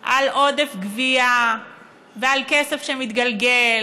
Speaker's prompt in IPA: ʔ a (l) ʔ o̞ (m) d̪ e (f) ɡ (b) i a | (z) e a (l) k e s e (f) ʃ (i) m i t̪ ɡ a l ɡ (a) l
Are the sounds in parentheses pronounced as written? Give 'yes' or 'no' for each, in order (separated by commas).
yes, no, yes, no, no, yes, yes, no, no